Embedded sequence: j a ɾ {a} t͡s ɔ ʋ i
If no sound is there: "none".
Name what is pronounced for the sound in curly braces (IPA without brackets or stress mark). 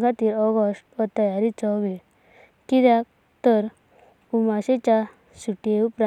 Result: i